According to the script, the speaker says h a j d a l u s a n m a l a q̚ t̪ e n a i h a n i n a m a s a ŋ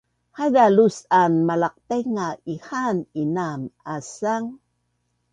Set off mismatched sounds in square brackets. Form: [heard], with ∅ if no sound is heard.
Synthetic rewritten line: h a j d a l u s a n m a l a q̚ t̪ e [ŋ] a i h a n i n a m a s a ŋ

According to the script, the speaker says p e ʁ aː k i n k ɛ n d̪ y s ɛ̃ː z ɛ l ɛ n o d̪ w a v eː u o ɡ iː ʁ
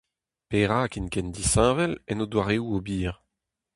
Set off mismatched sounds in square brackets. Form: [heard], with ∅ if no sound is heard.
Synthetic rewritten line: p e ʁ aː k i n k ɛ n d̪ [i] s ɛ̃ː [v] ɛ l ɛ n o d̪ w a [ʁ] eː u o [b] iː ʁ

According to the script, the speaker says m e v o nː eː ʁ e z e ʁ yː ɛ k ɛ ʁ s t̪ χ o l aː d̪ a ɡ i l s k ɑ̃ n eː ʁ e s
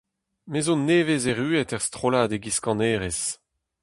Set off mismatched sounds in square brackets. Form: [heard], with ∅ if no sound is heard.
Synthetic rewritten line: m e [z] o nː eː [v] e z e ʁ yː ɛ [t] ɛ ʁ s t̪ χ o l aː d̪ [e] ɡ i [∅] s k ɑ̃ n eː ʁ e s

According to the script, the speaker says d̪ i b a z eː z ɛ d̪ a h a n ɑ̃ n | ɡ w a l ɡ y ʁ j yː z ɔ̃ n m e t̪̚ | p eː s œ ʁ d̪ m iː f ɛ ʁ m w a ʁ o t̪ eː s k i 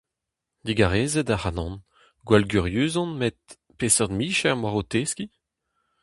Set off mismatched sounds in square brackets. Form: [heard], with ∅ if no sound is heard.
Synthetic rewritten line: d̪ i [ɡ] a [ʁ] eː z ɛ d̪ a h a n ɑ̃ n | ɡ w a l ɡ y ʁ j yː z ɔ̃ n m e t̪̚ | p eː s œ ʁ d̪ m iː [ʃ] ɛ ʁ m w a ʁ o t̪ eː s k i

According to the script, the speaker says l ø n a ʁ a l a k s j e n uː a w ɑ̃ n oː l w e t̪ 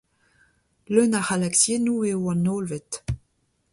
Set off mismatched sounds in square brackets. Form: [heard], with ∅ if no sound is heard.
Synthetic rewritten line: l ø n a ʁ a l a k s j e n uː [e] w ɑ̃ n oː l [v] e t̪

